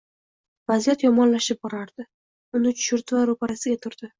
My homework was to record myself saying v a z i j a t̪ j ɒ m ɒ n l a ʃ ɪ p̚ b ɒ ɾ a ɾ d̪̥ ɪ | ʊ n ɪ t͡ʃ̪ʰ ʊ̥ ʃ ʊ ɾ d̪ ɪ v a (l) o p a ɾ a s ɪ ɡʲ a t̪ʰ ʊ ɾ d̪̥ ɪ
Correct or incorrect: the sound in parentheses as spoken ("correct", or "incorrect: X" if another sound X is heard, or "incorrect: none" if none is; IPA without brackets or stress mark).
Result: incorrect: ɾ